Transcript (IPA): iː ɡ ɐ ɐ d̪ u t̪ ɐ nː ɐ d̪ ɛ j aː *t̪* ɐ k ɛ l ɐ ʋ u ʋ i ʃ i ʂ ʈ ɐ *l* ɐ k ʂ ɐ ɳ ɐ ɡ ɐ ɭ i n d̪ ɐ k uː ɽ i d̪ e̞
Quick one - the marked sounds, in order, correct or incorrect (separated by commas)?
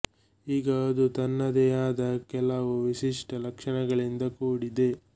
incorrect, correct